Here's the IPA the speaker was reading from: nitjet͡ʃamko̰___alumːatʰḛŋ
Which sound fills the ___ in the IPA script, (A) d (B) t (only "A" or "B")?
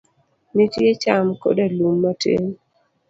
A